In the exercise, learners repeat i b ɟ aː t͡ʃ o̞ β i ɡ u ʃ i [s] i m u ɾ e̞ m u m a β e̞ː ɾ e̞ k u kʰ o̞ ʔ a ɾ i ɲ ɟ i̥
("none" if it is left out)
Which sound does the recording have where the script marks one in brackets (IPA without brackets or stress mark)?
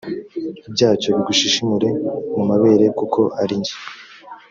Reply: ʃ